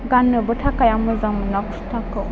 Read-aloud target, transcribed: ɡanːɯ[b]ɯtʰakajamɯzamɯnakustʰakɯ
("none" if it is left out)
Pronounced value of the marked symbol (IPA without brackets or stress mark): b